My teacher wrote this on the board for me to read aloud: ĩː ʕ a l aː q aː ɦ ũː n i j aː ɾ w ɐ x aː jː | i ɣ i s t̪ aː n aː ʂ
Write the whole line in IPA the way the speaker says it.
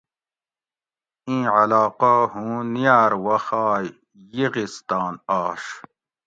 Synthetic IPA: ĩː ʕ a l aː q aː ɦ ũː n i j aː ɾ w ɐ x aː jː | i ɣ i s t̪ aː n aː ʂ

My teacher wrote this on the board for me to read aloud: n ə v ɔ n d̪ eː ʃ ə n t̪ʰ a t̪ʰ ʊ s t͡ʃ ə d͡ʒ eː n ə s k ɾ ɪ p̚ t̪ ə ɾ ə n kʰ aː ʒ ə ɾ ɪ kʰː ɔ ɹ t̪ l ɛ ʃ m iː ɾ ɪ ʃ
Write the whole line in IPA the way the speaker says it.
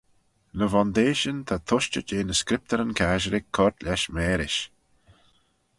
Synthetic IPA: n ə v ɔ n d̪ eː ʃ ə n t̪ʰ a t̪ʰ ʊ ʃ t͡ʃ ə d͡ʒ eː n ə s k ɾ ɪ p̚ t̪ ə ɾ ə n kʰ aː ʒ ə ɾ ɪ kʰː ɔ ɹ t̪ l ɛ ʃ m ɛː ɾ ɪ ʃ

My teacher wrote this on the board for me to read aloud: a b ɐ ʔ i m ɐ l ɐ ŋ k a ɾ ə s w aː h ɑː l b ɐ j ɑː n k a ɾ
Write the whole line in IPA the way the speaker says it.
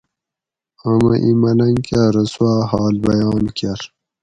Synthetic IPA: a m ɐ ʔ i m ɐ l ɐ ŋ k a ɾ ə s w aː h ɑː l b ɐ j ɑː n k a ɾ

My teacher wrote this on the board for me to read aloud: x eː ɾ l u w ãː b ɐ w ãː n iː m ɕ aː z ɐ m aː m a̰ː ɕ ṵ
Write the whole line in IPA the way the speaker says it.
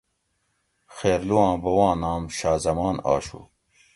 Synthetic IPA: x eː ɾ l u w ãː b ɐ w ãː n aː m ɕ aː z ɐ m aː n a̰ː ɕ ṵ

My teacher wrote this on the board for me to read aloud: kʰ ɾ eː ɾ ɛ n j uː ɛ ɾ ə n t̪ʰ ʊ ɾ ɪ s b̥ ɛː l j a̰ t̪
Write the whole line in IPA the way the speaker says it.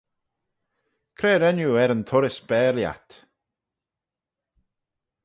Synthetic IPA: kʰ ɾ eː ɾ ɛ n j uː ɛ ɾ ə n t̪ʰ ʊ ɾ ɪ s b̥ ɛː l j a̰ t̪

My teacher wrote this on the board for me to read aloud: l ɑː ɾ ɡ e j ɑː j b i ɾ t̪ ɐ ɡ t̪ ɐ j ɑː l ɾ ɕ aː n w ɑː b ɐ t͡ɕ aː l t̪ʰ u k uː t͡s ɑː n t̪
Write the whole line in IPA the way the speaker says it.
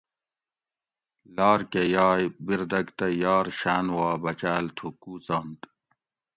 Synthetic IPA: l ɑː ɾ k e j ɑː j b i ɾ d̪ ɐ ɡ t̪ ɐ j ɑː ɾ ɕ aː n w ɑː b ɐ t͡ɕ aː l t̪ʰ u k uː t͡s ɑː n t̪

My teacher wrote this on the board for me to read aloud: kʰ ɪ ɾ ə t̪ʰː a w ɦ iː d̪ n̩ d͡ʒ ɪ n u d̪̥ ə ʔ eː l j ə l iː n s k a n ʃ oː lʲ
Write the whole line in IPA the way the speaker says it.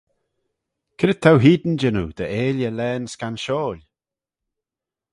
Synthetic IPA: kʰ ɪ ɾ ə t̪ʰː a w ɦ iː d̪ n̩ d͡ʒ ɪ n u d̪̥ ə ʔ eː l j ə l ɛː n s k a n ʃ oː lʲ

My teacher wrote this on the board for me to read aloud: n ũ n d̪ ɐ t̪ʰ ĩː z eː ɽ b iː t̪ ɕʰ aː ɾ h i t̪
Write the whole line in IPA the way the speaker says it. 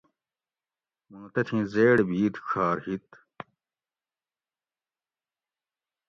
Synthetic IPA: m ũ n t̪ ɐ t̪ʰ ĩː z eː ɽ b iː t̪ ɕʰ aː ɾ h i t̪

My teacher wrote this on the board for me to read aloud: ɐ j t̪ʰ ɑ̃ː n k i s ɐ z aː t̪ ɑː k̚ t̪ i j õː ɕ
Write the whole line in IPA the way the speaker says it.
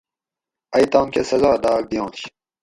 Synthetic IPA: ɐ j t̪ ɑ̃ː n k e s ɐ z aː d̪ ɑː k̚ d̪ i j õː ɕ

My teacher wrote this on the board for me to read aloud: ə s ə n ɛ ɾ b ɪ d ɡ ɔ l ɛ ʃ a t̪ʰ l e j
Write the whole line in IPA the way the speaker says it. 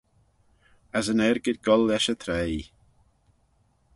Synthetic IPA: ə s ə n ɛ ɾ ɡ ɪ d ɡ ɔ l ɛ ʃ ə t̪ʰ ɾ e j

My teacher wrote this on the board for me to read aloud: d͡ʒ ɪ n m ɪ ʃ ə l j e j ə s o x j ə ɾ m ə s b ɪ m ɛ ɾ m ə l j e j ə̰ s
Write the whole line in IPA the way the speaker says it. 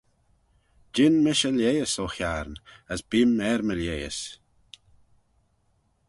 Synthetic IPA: d͡ʒ ɪ n m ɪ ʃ ə l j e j ə s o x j a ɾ n ə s b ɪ m ɛ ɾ m ə l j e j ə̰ s

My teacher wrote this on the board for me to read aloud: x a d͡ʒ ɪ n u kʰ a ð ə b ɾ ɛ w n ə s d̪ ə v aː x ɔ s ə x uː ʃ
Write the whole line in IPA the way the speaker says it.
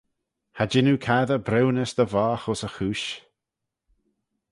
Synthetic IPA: h a d͡ʒ ɪ n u kʰ a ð ə b ɾ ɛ w n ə s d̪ ə v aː x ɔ s ə x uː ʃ

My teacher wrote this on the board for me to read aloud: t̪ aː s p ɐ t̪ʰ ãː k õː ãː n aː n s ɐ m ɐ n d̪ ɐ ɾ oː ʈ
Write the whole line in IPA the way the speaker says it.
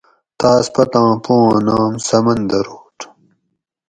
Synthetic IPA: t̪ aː s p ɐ t̪ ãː p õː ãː n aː m s ɐ m ɐ n d̪ ɐ ɾ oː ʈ

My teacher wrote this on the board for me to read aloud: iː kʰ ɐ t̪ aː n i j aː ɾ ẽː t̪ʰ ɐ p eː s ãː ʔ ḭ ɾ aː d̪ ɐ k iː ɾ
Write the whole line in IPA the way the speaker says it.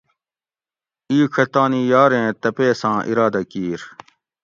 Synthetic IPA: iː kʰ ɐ t̪ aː n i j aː ɾ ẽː t̪ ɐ p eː s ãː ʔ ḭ ɾ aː d̪ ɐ k iː ɾ

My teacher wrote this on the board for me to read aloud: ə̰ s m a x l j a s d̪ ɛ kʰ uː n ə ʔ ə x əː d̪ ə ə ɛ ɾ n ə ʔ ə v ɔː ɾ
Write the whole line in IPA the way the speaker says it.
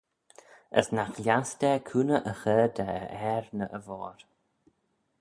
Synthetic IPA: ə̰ s n a x l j a s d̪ ɛ kʰ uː n ə ʔ ə x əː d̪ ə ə ɛ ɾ n ə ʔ ə v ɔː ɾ

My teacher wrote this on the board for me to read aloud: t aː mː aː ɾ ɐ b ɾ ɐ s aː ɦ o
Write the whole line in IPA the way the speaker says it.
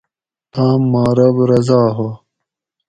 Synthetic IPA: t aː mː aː ɾ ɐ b ɾ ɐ z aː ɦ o

